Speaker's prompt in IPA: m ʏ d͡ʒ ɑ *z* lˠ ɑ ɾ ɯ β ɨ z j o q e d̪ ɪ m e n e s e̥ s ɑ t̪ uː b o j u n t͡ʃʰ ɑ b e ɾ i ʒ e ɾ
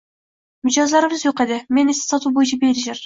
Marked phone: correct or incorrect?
correct